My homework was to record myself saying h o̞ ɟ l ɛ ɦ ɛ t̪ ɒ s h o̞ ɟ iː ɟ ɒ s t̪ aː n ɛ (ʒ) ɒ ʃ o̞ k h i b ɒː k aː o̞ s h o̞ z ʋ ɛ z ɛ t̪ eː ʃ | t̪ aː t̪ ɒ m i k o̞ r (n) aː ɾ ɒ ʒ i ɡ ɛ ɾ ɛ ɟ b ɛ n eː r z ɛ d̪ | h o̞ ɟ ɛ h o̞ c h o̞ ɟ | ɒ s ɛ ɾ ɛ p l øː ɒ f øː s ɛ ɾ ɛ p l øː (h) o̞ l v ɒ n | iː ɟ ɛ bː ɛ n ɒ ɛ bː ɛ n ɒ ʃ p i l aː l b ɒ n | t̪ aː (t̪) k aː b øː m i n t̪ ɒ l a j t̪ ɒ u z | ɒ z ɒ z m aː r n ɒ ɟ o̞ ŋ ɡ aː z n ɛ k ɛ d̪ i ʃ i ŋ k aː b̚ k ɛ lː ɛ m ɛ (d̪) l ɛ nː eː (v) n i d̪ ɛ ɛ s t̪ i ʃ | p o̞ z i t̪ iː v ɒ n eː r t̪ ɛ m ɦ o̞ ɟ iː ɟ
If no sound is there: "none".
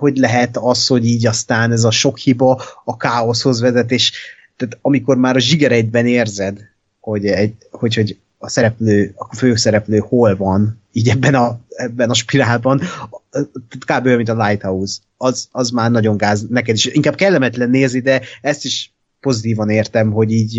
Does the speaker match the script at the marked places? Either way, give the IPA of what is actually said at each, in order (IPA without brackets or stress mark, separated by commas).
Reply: z, m, h, t̪, t̪, z